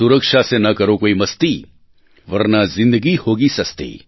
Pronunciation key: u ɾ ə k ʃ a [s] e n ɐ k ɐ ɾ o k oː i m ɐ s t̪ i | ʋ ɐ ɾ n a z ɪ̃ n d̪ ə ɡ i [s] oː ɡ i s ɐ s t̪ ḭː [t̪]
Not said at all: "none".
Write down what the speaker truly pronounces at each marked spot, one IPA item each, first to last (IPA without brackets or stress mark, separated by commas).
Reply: s, h, none